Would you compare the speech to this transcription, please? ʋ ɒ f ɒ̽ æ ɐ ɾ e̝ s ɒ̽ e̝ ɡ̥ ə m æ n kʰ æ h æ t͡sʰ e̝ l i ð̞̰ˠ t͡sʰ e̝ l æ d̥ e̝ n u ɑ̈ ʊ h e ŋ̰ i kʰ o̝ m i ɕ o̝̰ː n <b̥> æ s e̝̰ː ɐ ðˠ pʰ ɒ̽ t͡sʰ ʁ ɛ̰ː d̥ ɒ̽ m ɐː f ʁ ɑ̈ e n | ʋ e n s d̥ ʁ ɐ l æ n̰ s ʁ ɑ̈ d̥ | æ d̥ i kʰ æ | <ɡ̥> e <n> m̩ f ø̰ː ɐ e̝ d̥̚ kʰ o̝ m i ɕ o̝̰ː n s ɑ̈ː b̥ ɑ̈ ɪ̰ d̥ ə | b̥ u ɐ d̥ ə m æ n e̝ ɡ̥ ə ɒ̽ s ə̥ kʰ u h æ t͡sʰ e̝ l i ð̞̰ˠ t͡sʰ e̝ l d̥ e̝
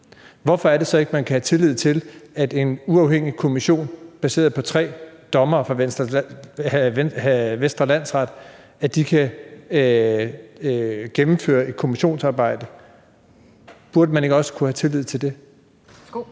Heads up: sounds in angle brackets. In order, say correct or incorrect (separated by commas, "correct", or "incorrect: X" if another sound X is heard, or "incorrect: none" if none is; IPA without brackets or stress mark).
correct, correct, incorrect: m